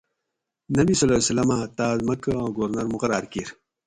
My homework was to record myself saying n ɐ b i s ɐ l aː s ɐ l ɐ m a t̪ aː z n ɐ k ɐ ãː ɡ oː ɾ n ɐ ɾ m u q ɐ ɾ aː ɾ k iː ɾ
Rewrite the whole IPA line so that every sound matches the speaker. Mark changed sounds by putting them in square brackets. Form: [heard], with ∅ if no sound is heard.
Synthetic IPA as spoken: n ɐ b i s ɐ l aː s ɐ l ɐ m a t̪ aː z [m] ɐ k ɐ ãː ɡ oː ɾ n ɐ ɾ m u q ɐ ɾ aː ɾ k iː ɾ